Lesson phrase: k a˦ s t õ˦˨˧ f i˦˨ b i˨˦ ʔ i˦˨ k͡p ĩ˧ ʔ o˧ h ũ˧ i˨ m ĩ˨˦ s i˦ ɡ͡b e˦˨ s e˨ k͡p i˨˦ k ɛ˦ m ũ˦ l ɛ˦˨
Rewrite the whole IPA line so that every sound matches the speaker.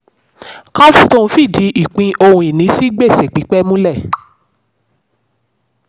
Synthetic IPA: k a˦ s t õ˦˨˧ f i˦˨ d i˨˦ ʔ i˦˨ k͡p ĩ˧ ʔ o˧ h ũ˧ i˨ n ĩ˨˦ s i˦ ɡ͡b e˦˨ s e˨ k͡p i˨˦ k͡p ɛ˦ m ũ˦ l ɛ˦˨

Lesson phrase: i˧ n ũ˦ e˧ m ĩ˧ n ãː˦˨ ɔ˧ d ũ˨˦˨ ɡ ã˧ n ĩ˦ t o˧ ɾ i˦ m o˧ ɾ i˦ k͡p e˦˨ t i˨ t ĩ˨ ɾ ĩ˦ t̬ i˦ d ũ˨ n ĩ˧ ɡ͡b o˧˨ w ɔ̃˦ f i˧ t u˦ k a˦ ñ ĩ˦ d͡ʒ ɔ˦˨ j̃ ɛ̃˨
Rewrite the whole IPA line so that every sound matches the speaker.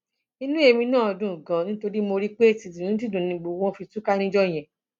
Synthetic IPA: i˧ n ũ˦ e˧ m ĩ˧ n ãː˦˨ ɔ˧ d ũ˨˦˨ ɡ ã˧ n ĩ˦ t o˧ ɾ i˦ m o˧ ɾ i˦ k͡p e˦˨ t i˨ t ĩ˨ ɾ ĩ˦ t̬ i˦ d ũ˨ n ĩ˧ ɡ͡b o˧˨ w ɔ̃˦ f i˧ t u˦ k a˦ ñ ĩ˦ d͡ʒ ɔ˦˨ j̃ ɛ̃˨

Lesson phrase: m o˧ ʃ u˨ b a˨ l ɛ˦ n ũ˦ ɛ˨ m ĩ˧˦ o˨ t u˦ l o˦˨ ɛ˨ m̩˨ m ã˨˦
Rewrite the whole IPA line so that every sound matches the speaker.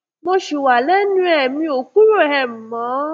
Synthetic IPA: m o˧ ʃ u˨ w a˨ l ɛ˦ n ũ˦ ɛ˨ m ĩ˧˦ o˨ k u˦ ɾ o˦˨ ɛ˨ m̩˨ m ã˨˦

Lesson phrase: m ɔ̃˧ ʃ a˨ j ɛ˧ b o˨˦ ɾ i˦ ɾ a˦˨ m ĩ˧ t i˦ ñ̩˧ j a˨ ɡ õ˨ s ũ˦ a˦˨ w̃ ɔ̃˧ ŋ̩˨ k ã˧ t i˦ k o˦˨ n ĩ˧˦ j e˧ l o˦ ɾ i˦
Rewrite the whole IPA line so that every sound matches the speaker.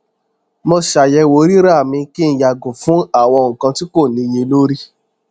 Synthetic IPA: m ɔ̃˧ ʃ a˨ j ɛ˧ w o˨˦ ɾ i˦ ɾ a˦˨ m ĩ˧ k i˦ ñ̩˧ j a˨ ɡ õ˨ f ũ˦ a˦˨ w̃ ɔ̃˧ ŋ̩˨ k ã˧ t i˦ k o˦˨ n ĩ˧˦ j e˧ l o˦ ɾ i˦

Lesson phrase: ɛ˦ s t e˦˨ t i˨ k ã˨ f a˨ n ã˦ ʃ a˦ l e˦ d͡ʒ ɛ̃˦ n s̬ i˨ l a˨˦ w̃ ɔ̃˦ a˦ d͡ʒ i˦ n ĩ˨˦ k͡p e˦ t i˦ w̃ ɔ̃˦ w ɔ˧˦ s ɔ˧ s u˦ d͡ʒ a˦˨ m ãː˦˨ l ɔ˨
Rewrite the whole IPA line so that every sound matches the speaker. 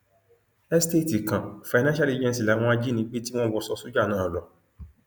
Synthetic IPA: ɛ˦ s t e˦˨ t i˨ k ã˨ f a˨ n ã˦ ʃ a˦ l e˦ d͡ʒ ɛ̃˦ n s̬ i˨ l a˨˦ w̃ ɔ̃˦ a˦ d͡ʒ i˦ n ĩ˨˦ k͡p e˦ t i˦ w̃ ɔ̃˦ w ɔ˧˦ s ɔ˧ s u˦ d͡ʒ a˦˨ n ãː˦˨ l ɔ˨

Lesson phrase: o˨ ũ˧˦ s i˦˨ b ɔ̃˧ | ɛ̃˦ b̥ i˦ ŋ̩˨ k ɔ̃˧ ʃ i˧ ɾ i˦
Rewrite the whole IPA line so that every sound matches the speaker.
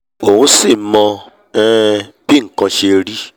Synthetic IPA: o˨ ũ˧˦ s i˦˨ m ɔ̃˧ | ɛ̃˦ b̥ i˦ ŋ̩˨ k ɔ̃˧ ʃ e˧ ɾ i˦

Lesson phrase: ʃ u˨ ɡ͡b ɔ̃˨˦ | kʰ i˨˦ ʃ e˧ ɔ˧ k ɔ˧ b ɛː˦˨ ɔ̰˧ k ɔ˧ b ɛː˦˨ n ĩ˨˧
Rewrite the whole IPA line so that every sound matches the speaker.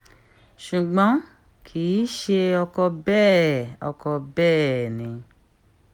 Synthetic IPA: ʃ u˨ ɡ͡b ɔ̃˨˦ | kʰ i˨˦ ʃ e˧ ɔ˧ k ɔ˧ b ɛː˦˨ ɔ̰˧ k ɔ˧ b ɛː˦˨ n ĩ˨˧

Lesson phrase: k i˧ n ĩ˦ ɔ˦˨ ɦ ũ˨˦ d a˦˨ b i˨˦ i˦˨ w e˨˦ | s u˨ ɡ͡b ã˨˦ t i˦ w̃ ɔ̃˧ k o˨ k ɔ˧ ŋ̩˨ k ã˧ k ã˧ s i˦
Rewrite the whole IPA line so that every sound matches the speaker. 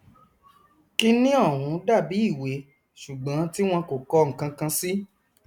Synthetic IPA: k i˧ n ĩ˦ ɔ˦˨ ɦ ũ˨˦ d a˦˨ b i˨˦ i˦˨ w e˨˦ | ʃ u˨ ɡ͡b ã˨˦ t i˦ w̃ ɔ̃˧ k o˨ k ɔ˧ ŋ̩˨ k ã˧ k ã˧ s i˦

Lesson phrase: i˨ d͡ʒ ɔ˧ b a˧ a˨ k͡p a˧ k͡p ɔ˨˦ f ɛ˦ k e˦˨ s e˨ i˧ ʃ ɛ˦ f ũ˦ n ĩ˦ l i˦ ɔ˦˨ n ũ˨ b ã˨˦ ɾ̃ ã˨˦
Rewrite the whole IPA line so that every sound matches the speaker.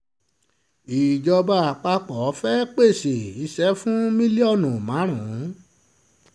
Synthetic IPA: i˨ d͡ʒ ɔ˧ b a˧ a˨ k͡p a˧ k͡p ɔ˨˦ f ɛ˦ k͡p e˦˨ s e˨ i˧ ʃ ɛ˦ f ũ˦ m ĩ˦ l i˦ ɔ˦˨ n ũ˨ m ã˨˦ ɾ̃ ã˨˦

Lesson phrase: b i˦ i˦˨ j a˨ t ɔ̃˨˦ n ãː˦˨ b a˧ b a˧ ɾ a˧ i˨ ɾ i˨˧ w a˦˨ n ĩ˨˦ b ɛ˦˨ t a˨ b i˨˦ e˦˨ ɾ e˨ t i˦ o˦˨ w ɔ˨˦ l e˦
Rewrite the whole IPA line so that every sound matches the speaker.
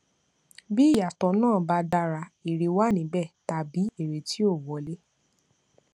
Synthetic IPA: b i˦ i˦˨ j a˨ t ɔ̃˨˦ n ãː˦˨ b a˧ d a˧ ɾ a˧ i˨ ɾ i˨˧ w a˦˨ n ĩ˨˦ b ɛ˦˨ t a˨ b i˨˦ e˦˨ ɾ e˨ t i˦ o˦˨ w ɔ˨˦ l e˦

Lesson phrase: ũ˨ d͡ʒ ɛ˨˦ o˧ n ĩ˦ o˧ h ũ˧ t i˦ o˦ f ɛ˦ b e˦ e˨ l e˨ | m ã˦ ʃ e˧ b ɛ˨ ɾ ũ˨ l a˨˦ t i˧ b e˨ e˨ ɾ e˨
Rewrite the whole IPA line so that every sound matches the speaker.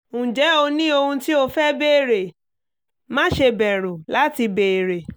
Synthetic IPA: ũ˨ d͡ʒ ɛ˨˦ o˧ n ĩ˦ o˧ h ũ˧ t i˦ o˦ f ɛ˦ b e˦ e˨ ɾ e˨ | m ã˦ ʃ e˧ b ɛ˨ ɾ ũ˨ l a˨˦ t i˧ b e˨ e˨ ɾ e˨

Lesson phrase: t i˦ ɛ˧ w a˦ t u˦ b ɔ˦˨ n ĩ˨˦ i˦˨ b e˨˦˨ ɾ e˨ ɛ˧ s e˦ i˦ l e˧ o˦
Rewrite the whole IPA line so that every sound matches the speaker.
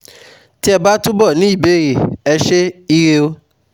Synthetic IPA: t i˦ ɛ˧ b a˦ t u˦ b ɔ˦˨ n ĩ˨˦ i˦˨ b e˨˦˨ ɾ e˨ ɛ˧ ʃ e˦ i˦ ɾ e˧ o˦

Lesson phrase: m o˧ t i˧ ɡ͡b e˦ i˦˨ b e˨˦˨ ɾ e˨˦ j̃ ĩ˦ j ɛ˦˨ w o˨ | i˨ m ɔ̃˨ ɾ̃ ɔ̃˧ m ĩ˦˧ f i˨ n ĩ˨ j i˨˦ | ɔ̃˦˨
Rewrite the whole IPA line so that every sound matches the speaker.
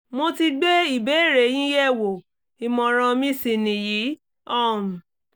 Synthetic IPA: m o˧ t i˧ ɡ͡b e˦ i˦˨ b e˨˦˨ ɾ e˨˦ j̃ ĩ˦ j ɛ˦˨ w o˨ | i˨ m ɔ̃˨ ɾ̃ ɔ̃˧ m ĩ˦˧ s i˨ n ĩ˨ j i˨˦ | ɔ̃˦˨

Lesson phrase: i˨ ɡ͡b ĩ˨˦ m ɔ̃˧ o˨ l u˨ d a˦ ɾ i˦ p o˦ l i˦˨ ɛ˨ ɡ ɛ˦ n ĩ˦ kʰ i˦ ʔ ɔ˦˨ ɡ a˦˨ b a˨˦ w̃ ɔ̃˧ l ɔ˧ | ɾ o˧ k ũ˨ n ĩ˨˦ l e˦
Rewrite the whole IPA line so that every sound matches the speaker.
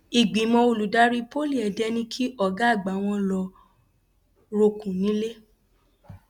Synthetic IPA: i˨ ɡ͡b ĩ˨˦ m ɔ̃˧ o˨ l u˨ d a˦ ɾ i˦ p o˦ l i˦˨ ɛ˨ d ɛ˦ n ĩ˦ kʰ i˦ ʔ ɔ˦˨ ɡ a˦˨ ɡ͡b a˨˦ w̃ ɔ̃˧ l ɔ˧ | ɾ o˧ k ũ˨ n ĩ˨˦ l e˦

